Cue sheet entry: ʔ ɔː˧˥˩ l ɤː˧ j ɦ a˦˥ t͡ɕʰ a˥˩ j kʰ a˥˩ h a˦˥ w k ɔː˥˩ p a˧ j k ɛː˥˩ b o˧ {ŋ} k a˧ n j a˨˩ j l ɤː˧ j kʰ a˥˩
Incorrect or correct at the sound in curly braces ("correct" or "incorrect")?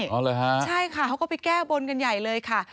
incorrect